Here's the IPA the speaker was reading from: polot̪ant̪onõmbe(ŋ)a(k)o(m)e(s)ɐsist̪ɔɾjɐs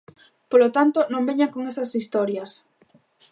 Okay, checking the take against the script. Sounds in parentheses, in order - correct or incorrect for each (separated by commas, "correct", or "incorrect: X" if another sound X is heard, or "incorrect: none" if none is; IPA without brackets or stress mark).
incorrect: ɲ, correct, incorrect: ŋ, correct